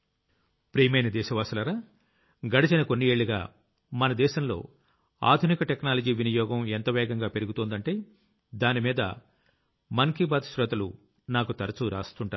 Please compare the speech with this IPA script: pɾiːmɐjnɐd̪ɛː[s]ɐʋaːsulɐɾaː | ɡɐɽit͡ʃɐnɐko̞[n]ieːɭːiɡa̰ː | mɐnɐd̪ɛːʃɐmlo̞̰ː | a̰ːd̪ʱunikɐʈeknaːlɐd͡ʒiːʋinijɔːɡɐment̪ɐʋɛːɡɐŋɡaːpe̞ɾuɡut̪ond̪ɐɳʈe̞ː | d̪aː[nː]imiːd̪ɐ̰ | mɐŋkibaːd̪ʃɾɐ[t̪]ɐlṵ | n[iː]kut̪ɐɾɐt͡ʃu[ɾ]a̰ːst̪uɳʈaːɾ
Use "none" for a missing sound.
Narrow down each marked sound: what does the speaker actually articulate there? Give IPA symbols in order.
ʃ, nː, n, t̪, aː, ɾ

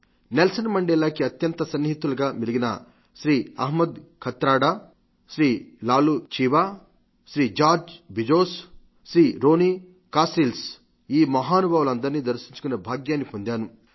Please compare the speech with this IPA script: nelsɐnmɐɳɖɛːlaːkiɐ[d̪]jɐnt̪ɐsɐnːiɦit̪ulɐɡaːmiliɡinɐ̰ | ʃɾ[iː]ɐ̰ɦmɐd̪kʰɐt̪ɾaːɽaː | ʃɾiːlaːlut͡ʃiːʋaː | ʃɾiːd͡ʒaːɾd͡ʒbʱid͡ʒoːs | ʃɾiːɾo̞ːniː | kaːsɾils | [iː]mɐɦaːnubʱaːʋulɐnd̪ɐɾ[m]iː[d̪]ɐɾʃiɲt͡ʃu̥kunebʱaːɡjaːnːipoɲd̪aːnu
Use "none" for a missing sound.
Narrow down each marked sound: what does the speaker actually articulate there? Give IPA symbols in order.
t̪, iː, iː, n, d̪

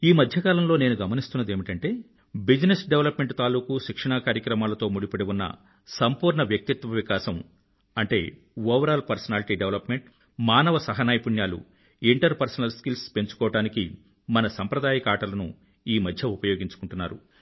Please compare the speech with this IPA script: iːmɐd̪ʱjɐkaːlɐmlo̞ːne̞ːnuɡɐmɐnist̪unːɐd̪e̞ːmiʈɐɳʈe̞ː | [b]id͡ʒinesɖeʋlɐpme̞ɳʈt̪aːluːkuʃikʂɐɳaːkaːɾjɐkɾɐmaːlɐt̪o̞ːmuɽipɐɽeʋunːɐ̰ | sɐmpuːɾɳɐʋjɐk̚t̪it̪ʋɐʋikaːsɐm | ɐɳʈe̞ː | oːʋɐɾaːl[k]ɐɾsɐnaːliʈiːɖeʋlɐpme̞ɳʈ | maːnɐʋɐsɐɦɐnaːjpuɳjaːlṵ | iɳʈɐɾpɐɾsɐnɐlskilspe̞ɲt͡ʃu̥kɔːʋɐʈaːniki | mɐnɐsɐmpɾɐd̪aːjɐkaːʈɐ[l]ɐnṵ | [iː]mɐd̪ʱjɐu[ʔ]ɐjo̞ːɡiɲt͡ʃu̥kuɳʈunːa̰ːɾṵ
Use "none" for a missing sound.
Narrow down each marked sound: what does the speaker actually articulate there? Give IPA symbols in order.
b, p, l, iː, p

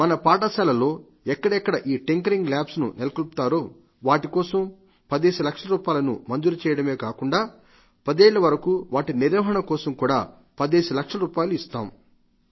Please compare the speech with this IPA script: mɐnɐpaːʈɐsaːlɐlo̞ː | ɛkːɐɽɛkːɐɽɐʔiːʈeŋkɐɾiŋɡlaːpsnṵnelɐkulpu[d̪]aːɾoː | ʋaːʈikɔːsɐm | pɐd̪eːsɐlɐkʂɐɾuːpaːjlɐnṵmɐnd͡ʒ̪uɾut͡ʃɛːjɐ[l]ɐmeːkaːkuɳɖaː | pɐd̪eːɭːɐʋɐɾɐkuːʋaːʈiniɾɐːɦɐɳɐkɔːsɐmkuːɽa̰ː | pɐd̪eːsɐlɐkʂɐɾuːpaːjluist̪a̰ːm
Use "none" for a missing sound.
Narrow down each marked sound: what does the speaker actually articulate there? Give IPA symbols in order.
t̪, ɽ

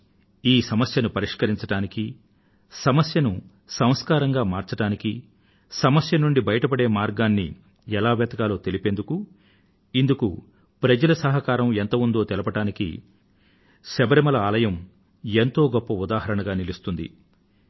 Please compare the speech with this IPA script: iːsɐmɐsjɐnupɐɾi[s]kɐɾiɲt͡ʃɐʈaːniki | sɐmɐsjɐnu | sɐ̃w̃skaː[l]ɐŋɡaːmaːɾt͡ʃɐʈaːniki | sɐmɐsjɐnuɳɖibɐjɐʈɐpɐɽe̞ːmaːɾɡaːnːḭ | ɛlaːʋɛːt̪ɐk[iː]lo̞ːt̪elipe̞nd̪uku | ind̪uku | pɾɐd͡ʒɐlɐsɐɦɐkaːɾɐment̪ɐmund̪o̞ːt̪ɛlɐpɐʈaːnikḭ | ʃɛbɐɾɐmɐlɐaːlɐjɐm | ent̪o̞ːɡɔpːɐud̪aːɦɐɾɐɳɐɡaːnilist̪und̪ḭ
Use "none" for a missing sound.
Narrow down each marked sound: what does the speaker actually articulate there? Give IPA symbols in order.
ʂ, ɾ, aː

